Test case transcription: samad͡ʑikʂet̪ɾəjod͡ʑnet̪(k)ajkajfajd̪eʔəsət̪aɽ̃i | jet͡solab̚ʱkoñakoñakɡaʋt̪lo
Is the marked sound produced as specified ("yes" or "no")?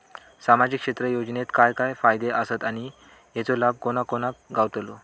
yes